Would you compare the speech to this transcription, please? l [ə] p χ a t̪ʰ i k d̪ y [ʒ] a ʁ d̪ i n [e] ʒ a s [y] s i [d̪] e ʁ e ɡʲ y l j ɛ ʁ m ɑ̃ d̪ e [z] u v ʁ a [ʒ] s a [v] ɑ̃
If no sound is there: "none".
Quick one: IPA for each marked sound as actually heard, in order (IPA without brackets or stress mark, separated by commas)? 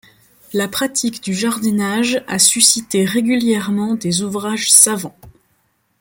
a, ʒ, a, y, t̪, z, ʒ, v